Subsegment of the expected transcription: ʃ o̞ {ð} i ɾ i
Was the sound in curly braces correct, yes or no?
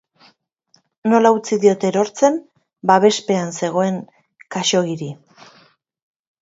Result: no